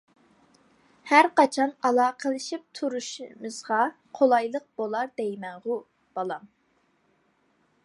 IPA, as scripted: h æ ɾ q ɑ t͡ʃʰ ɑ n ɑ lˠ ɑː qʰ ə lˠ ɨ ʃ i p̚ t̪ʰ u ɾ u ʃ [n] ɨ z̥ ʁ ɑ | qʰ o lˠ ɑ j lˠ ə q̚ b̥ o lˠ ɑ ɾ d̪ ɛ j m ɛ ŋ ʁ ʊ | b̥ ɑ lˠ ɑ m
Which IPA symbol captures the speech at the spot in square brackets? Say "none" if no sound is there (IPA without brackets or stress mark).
m